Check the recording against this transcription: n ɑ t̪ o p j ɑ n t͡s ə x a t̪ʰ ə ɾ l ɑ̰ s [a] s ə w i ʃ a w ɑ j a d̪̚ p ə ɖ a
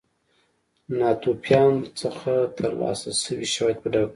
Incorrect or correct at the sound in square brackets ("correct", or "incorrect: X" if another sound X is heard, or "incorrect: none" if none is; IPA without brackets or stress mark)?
correct